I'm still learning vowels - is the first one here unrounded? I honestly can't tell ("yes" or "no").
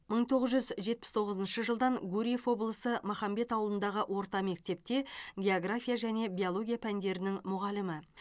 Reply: yes